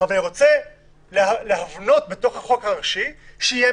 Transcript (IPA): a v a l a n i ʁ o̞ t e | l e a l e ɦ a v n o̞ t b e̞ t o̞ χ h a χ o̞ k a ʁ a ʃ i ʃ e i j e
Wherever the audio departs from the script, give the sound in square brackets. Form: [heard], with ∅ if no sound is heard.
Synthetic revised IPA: a v a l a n i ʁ o̞ [t͡s] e | l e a l e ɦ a v n o̞ t b e̞ t o̞ χ h a χ o̞ k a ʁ a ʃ i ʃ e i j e